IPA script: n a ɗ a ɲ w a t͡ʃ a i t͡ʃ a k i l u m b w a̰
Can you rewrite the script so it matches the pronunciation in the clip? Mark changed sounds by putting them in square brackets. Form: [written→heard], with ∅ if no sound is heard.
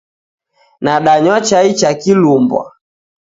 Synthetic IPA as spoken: n a ɗ a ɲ w a t͡ʃ a i t͡ʃ a k i l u m b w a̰